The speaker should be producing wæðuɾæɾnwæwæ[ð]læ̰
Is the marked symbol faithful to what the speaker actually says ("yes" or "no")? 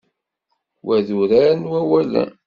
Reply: no